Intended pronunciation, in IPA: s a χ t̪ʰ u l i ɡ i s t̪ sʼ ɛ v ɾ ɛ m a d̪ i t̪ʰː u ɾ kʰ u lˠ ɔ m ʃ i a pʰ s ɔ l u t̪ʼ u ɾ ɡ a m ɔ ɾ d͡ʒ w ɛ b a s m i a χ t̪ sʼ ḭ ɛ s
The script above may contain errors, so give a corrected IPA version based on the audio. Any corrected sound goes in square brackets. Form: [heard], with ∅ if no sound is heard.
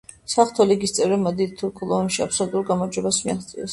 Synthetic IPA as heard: s a χ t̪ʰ [ɔ] l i ɡ i s t̪ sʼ ɛ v ɾ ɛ m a d̪ i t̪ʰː u ɾ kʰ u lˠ ɔ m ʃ i a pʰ s ɔ l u t̪ʼ u ɾ ɡ a m ɔ ɾ d͡ʒ w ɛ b a s m i a χ t̪ sʼ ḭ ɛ s